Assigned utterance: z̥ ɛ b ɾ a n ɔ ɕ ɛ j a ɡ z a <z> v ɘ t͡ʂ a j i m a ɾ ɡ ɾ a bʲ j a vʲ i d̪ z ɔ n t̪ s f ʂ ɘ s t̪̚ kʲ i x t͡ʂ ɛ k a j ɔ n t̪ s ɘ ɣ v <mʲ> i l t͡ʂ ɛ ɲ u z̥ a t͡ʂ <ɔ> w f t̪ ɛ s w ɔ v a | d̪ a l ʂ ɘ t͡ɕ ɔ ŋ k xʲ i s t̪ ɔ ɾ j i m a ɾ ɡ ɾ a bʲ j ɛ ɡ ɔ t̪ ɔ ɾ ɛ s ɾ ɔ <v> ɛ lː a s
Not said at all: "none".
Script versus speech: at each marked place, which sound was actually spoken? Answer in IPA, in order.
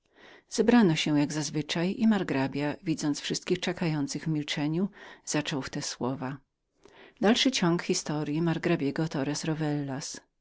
z, mʲ, ɔ, v

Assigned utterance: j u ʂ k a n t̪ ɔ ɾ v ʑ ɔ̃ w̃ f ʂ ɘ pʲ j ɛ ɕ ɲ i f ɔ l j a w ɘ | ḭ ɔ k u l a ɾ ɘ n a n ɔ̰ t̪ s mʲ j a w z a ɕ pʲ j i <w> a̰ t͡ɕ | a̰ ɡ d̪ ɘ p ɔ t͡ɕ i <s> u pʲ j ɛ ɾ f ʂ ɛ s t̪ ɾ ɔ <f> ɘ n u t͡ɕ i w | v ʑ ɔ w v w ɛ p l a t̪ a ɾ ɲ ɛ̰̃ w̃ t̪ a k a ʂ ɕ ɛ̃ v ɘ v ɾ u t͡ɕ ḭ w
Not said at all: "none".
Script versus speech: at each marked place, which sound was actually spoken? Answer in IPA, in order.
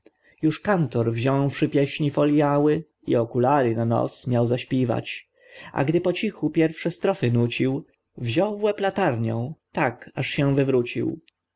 v, x, f

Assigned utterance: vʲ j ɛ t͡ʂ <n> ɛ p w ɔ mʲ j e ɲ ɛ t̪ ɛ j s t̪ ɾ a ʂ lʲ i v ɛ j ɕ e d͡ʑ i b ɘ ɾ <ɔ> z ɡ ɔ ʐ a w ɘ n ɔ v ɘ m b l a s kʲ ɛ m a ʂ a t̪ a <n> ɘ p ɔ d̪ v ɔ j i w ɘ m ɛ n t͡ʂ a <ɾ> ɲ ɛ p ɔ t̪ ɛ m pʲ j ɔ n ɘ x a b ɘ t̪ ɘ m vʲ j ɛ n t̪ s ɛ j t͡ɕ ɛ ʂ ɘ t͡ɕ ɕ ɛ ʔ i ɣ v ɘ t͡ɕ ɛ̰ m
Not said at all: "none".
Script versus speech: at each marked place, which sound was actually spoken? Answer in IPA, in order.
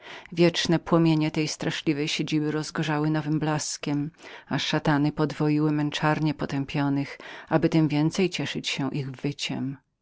n, ɔ, n, ɾ

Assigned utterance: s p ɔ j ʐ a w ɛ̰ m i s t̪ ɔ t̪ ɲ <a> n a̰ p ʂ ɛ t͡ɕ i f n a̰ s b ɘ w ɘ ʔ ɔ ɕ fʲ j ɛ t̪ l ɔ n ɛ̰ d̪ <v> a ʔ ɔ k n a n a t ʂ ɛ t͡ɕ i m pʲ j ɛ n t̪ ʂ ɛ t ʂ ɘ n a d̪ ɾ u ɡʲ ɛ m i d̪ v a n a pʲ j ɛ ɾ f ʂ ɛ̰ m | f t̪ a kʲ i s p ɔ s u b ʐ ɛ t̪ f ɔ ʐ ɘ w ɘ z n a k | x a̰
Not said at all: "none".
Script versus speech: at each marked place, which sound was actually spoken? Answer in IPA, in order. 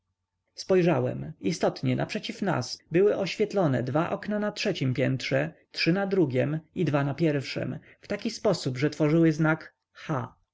ɛ, v

